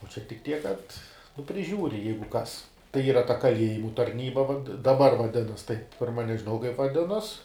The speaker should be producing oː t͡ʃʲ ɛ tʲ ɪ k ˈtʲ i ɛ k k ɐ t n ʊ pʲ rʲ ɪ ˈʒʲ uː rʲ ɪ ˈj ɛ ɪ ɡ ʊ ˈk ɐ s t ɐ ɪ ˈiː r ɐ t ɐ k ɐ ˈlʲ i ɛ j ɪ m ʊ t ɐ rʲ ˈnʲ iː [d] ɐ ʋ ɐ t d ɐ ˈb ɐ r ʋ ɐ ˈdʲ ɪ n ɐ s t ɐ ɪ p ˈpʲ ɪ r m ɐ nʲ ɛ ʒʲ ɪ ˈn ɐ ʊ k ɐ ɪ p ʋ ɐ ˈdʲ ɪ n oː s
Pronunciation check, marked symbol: incorrect: b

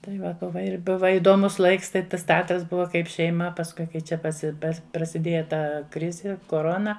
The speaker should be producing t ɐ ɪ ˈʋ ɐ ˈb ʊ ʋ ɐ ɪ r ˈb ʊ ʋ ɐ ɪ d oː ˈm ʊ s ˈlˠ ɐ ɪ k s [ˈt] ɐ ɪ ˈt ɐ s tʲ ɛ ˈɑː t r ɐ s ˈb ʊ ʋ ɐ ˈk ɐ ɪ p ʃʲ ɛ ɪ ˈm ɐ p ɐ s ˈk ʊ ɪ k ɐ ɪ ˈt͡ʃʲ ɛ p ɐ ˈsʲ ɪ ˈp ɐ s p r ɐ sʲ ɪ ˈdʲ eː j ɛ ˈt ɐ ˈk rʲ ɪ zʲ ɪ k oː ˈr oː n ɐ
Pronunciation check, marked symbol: correct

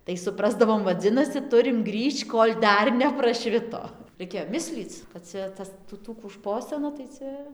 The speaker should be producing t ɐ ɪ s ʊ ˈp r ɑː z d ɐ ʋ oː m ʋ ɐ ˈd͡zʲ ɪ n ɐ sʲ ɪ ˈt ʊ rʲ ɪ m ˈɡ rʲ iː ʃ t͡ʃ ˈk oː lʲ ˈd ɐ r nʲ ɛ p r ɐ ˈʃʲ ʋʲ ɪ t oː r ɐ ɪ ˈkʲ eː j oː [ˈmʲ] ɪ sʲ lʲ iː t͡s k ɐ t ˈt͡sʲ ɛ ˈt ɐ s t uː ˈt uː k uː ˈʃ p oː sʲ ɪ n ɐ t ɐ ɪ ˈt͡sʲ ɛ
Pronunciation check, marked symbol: correct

